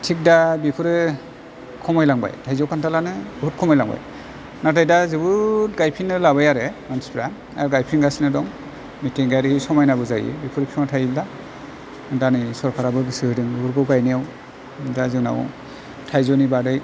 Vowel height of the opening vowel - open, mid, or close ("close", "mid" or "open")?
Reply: close